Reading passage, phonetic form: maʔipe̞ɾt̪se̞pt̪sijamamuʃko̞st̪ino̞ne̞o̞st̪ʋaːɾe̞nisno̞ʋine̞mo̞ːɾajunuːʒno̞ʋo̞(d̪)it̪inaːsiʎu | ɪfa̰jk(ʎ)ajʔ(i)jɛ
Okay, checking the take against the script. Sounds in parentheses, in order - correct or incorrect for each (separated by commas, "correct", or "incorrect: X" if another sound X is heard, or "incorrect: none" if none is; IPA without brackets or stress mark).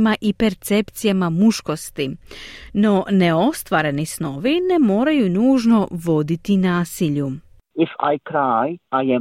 correct, incorrect: ɾ, incorrect: a